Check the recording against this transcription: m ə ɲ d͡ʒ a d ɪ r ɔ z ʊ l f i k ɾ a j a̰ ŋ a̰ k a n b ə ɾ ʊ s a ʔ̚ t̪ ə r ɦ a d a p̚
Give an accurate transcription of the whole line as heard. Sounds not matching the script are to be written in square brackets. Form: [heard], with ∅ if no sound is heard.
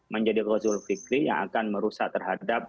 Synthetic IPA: m ə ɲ d͡ʒ a d [i] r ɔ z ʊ l f i k ɾ [i] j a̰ ŋ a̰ k a n [m] ə ɾ [u] s a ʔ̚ t̪ ə r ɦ a d a p̚